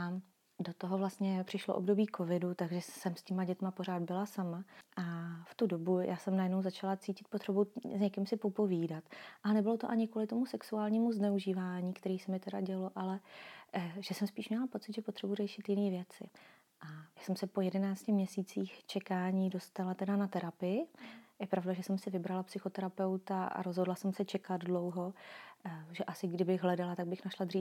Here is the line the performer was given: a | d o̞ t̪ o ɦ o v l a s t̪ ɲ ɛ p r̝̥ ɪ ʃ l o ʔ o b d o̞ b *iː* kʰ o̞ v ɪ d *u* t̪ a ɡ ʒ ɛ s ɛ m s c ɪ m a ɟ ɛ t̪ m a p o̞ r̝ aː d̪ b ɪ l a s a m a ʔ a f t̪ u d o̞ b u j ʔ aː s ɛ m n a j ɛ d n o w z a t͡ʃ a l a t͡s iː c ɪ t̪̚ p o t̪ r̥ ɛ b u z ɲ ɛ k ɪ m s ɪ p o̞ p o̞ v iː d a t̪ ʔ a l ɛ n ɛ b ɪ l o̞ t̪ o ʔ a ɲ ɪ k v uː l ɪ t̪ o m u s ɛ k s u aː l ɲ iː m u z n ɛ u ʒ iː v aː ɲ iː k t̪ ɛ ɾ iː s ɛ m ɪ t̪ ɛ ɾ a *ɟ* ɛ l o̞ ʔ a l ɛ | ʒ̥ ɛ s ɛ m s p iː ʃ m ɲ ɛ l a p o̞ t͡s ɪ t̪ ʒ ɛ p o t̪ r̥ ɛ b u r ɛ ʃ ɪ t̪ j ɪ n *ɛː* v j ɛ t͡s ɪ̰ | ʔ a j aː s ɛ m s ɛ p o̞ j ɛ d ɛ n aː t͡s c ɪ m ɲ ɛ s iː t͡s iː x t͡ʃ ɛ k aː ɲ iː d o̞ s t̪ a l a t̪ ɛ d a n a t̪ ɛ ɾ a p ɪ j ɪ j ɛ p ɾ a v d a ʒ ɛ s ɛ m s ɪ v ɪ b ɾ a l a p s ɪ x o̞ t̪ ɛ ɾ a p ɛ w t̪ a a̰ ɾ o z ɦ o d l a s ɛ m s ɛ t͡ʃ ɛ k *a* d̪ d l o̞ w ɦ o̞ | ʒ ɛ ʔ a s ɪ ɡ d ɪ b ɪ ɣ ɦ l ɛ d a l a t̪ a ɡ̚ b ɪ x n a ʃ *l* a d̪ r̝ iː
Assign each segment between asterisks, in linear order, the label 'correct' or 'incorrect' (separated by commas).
correct, correct, correct, incorrect, correct, correct